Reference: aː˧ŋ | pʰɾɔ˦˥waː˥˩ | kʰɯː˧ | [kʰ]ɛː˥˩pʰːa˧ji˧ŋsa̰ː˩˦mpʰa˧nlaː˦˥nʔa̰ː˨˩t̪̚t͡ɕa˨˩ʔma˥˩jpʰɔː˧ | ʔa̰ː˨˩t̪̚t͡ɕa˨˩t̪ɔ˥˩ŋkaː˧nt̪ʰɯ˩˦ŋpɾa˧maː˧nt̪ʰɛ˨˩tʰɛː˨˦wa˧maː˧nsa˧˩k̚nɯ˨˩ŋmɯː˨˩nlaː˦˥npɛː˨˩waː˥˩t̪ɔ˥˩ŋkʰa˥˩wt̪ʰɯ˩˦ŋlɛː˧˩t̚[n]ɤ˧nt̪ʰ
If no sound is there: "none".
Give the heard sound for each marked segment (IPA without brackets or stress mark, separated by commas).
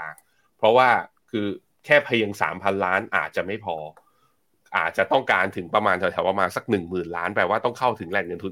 kʰ, ŋ